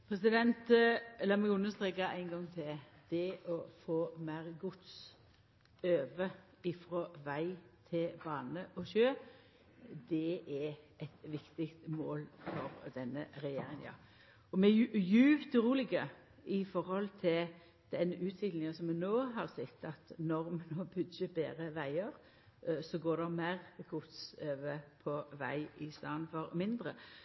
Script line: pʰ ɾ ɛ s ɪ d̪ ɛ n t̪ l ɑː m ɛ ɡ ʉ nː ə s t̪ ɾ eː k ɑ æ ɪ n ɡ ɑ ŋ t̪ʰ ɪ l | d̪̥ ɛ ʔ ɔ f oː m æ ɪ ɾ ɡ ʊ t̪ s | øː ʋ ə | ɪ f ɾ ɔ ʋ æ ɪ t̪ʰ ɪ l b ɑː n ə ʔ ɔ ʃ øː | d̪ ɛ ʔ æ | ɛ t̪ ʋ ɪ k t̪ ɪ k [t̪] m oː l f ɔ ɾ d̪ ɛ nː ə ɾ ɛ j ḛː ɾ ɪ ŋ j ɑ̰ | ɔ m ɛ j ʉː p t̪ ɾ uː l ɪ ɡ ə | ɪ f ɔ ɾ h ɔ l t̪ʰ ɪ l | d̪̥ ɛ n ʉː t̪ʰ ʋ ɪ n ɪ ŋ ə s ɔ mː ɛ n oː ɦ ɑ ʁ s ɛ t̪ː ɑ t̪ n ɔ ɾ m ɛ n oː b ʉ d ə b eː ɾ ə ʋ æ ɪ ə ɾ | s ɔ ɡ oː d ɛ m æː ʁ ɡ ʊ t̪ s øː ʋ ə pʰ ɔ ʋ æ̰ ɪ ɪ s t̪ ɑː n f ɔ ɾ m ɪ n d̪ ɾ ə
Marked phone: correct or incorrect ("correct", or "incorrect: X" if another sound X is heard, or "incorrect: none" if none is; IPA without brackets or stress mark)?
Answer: correct